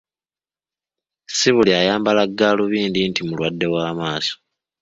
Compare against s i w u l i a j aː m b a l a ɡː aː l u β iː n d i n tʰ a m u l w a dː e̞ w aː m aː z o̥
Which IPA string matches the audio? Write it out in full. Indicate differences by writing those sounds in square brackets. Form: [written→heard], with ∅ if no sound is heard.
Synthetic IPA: s i [w→β] u l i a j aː m b a l a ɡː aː l u β iː n d i n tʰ [a→i] m u l w a dː e̞ w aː m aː [z→s] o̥